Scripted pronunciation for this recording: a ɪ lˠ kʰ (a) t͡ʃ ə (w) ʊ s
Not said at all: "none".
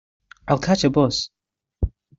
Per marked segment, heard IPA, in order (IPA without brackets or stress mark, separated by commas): a, b